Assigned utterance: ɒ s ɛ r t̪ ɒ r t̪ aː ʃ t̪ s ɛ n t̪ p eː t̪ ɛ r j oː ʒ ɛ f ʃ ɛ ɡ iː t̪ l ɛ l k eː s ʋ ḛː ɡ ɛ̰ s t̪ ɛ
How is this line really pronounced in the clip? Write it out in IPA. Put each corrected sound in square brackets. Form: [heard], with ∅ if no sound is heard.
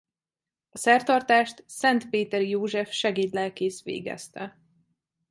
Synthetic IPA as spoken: ɒ s ɛ r t̪ ɒ r t̪ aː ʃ t̪ s ɛ n t̪ p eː t̪ ɛ r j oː ʒ ɛ f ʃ ɛ ɡ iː t̪ l ɛ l k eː s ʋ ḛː ɡ ɛ̰ s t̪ ɛ